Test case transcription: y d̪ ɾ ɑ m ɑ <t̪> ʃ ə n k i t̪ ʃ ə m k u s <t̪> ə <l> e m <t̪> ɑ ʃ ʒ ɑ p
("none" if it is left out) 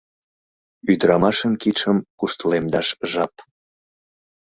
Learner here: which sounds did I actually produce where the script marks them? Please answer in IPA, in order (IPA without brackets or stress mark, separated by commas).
none, t̪, l, d̪